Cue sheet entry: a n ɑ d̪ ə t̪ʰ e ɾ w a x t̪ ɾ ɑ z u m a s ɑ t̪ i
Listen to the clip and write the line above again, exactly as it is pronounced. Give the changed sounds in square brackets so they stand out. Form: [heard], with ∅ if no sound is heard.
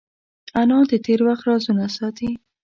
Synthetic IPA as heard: a n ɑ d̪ ə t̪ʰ e ɾ w a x t̪ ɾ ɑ z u [n] a s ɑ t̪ i